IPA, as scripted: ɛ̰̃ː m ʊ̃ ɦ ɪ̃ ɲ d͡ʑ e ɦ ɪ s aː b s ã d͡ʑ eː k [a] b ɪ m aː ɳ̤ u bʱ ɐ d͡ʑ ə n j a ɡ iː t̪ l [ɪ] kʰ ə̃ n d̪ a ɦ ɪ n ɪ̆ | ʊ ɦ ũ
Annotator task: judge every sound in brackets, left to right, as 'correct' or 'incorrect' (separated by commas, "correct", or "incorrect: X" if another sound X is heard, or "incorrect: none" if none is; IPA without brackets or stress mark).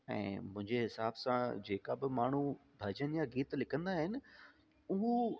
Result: correct, correct